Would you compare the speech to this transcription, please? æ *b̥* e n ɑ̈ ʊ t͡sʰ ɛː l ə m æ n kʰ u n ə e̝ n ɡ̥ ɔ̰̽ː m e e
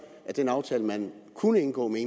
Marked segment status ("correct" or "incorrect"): incorrect